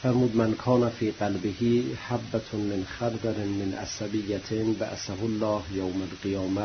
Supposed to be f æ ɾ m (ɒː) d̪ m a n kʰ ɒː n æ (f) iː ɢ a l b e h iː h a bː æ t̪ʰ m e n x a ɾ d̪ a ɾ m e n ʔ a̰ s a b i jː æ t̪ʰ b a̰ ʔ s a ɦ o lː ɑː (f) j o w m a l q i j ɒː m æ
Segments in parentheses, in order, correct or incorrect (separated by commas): incorrect, correct, incorrect